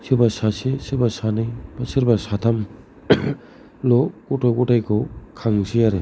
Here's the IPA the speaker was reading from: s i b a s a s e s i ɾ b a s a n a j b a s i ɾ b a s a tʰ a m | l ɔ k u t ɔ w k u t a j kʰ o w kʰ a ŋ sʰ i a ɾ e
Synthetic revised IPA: s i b a s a s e s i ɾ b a s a n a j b a s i ɾ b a s a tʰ a m | l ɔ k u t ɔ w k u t a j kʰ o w kʰ a ŋ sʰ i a ɾ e